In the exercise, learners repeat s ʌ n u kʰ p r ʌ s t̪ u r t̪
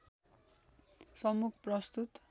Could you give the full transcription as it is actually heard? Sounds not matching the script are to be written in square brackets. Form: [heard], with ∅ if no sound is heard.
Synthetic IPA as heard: s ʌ [m] u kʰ p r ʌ s t̪ u [∅] t̪